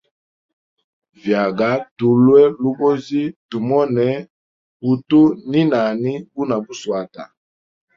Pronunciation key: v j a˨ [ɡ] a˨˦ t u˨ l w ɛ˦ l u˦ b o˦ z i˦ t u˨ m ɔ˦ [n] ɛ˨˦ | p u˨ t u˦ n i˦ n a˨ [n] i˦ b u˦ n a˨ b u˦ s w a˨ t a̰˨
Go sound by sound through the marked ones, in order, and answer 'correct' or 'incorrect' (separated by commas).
correct, correct, correct